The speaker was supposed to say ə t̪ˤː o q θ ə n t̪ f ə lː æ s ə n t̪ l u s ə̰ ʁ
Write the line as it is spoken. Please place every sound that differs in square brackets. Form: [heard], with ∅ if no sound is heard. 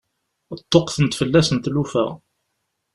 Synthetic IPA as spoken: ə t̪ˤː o q θ ə n t̪ f ə lː æ s ə n t̪ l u [f] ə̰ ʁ